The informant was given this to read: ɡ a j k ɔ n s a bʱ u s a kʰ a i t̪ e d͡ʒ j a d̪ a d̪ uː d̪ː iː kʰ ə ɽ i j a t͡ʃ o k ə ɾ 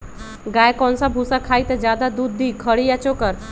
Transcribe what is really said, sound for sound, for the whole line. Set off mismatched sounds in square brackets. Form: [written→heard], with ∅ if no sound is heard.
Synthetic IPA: ɡ a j k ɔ n s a bʱ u s a kʰ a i t̪ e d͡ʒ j a d̪ a d̪ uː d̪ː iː kʰ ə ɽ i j a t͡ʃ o k ə ɾ